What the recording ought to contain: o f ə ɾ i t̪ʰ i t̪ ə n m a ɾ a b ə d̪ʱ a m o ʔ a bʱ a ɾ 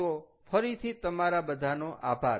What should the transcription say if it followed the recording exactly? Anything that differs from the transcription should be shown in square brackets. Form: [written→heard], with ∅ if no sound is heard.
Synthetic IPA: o f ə ɾ i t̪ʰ i t̪ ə [n→∅] m a ɾ a b ə d̪ʱ a [m→n] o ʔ a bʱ a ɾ